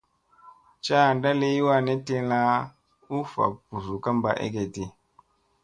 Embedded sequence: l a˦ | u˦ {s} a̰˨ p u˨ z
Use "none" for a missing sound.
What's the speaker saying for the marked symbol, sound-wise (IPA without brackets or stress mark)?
f